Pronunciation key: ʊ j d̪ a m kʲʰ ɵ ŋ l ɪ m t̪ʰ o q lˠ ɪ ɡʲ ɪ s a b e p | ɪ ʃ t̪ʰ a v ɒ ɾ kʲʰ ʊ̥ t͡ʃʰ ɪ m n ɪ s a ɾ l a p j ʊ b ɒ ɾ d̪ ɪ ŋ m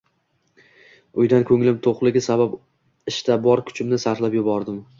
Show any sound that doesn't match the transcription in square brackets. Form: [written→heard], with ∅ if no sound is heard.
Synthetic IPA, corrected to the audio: ʊ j d̪ a [m→n] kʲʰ ɵ ŋ l ɪ m t̪ʰ o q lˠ ɪ ɡʲ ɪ s a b [e→a] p | ɪ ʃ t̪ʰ a [v→b] ɒ ɾ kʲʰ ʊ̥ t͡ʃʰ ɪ m n ɪ s a ɾ l a p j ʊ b ɒ ɾ d̪ ɪ [ŋ→∅] m